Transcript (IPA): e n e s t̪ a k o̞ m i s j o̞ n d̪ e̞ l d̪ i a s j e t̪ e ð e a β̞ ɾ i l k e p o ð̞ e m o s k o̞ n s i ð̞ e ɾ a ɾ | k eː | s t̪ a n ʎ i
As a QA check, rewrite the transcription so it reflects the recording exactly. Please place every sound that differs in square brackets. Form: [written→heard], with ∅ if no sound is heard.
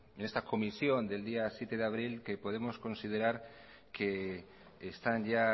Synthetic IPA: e n e s t̪ a k o̞ m i s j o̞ n d̪ e̞ l d̪ i a s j e t̪ e ð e a β̞ ɾ i l k e p o ð̞ e m o s k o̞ n s i ð̞ e ɾ a ɾ | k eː | s t̪ a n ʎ [i→a]